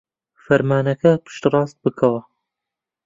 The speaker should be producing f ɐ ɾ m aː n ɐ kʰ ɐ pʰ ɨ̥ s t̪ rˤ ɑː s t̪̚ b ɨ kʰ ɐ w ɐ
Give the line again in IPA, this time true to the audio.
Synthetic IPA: f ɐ ɾ m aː n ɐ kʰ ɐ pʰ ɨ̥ ʃ t̪ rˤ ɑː s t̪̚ b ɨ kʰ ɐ w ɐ